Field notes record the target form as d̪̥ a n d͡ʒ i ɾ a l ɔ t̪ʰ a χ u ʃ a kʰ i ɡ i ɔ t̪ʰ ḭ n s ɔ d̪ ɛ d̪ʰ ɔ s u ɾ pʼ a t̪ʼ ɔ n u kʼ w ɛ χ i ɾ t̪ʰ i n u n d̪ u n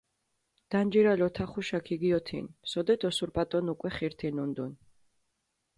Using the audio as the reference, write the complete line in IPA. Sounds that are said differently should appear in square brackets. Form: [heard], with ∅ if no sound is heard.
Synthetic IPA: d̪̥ a n d͡ʒ i ɾ a l ɔ t̪ʰ a χ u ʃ a kʰ i ɡ i ɔ t̪ʰ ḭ n s ɔ d̪ ɛ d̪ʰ ɔ s u ɾ pʼ a t̪ʼ ɔ n u kʼ w ɛ χ i ɾ t̪ʰ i n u n d̪ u n